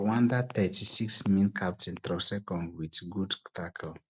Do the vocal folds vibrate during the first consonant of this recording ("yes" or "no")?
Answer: yes